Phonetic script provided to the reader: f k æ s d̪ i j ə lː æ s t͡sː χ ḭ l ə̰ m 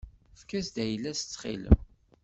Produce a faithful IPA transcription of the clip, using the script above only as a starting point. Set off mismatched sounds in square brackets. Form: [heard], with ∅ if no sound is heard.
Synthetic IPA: f k æ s d̪ [æ] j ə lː æ s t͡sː χ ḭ l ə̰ m